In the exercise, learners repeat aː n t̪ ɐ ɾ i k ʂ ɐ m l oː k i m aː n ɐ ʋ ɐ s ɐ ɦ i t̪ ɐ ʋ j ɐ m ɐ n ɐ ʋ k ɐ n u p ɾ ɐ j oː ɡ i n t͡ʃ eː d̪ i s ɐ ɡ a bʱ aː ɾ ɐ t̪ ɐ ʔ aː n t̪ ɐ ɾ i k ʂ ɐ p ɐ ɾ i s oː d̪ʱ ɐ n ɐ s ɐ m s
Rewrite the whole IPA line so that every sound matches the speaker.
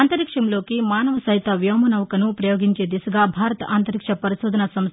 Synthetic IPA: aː n t̪ ɐ ɾ i k ʂ ɐ m l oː k i m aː n ɐ ʋ ɐ s ɐ ɦ i t̪ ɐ ʋ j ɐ m ɐ n ɐ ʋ k ɐ n u p ɾ ɐ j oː ɡ i ɲ t͡ʃ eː d̪ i s ɐ ɡ a bʱ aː ɾ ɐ t̪ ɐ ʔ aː n t̪ ɐ ɾ i k ʂ ɐ p ɐ ɾ i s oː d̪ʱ ɐ n ɐ s ɐ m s